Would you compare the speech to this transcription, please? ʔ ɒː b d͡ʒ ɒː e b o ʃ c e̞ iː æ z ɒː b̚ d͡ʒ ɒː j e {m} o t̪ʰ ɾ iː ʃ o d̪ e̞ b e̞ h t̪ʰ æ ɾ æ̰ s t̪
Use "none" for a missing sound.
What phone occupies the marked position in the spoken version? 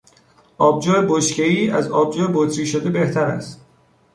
b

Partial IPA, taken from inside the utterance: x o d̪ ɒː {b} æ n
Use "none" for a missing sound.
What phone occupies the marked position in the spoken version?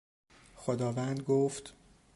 v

